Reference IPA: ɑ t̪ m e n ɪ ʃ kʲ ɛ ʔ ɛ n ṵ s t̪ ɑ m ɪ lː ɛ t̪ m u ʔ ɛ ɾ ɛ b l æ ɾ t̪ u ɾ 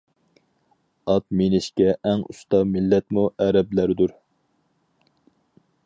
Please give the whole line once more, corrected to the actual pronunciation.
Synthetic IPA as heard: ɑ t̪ m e n ɪ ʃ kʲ ɛ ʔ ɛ ŋ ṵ s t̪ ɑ m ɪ lː ɛ t̪ m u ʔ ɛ ɾ ɛ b l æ ɾ d̪ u ɾ